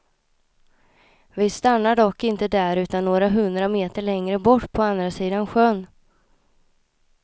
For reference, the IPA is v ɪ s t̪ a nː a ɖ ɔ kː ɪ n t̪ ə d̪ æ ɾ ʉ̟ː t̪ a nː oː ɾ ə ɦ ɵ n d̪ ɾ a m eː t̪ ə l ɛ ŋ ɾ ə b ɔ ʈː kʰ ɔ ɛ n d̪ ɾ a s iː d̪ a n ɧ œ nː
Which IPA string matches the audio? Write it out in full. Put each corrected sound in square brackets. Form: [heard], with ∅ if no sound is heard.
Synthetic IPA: v ɪ s t̪ a nː a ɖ ɔ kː ɪ n t̪ ə d̪ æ ɾ ʉ̟ː t̪ a nː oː ɾ [a] ɦ ɵ n d̪ ɾ a m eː t̪ ə [ɭ] ɛ ŋ ɾ ə b ɔ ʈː [pʰ] ɔ [a] n d̪ ɾ a s iː d̪ a n ɧ œ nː